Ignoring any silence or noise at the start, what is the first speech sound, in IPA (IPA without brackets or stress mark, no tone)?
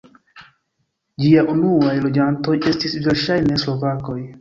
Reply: d͡ʒ